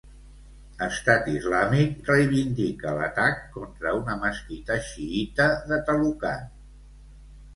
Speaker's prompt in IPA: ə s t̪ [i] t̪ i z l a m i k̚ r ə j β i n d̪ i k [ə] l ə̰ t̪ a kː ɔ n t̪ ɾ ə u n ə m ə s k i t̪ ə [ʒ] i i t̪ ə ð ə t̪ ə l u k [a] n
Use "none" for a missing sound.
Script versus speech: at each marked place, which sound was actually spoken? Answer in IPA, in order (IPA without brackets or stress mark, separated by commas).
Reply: a, ə, ʃ, a